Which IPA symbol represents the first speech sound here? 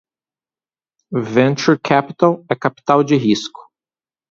v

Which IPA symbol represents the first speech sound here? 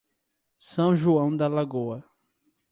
s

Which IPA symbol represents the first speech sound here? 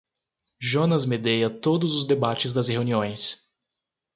ʒ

